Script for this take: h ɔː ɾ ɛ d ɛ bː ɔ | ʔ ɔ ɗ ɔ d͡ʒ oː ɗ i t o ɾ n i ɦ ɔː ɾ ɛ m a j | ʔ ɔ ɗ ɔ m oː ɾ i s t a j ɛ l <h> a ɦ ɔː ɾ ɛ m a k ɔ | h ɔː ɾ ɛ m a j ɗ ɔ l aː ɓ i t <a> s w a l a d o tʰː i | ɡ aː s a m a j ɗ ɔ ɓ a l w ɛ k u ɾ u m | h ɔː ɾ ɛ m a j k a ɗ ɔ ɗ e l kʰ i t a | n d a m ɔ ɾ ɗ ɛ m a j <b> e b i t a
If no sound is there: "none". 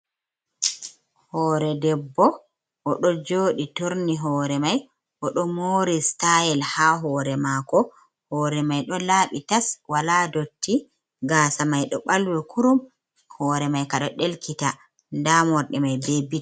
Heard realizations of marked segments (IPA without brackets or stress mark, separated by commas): h, a, b